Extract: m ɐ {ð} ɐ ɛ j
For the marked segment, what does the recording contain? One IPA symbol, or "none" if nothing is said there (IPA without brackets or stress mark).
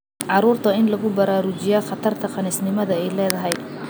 ð